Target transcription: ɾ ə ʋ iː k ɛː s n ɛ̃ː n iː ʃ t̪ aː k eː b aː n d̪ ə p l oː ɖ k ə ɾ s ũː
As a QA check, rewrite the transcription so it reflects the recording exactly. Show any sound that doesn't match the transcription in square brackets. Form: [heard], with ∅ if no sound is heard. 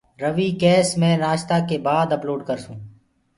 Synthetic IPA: ɾ ə ʋ iː k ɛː s [m] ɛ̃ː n [aː] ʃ t̪ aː k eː b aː [∅] d̪ ə p l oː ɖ k ə ɾ s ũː